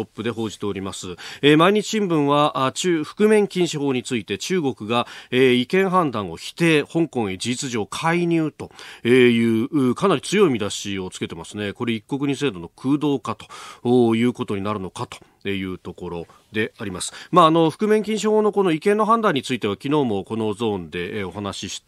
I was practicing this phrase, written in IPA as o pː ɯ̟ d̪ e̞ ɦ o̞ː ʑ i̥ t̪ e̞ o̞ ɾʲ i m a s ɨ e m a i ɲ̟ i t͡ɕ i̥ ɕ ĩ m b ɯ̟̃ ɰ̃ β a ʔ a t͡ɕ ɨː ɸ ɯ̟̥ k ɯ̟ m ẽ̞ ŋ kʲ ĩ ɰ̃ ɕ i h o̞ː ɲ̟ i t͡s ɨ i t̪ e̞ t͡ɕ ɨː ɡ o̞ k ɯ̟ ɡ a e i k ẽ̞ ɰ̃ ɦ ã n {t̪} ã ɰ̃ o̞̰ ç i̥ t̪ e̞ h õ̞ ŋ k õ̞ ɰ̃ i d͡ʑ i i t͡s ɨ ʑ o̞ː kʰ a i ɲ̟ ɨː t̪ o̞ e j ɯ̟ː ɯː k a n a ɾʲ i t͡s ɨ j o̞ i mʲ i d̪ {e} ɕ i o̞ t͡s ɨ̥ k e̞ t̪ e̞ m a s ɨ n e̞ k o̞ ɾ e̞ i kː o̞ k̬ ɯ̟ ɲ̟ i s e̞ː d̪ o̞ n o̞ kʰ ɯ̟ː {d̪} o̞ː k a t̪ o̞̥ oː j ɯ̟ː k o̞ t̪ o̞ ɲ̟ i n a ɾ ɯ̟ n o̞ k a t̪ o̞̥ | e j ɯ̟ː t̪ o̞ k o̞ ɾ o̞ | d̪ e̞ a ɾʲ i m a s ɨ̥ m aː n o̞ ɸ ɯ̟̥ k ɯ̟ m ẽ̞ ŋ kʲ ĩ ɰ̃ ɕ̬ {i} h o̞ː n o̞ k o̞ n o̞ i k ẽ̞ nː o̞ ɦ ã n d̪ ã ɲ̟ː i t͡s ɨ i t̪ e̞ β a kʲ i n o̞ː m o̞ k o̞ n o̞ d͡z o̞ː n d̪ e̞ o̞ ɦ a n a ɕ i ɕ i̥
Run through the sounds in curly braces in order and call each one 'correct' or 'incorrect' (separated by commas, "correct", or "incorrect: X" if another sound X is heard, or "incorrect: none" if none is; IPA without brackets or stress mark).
incorrect: d̪, incorrect: a, correct, correct